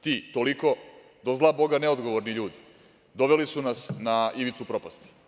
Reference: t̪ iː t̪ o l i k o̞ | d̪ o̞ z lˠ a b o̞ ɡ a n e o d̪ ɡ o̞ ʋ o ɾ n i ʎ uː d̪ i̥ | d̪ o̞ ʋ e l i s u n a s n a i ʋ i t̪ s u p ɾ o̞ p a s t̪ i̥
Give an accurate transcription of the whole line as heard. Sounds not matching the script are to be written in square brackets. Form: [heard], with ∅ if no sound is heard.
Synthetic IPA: t̪ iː t̪ o l i k o̞ | d̪ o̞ z lˠ a b o̞ ɡ a n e o d̪ ɡ o̞ ʋ o ɾ n i ʎ uː d̪ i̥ | d̪ o̞ ʋ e l i s u n a s n a i ʋ i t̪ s u p ɾ o̞ p a s t̪ i̥